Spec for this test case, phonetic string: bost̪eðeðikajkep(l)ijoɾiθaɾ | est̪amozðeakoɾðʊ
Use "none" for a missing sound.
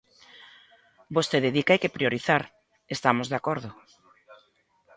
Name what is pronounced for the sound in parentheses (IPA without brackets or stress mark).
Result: ɾ